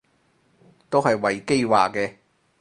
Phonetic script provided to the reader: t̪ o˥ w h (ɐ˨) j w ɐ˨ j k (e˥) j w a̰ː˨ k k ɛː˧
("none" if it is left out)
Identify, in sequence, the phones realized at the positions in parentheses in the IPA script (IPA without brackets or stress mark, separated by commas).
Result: ɐ˨, e˥